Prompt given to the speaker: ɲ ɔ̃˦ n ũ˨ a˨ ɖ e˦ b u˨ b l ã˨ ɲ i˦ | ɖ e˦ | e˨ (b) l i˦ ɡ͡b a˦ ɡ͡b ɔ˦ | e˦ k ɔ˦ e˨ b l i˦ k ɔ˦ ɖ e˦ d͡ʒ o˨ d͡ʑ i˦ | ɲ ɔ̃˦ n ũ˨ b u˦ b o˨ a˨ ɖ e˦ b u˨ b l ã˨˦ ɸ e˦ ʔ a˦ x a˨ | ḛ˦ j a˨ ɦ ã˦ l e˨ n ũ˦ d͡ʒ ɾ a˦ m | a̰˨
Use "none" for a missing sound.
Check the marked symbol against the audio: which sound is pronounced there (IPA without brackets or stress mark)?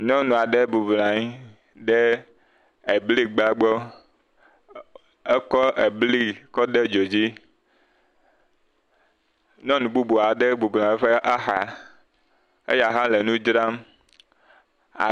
b